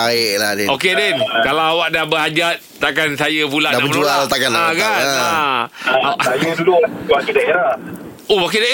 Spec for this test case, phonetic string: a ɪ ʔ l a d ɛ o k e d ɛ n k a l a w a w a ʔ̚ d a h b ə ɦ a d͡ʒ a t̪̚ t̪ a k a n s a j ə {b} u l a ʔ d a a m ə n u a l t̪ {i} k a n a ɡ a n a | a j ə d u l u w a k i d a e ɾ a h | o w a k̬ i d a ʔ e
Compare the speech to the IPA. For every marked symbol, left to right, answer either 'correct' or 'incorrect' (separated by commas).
incorrect, incorrect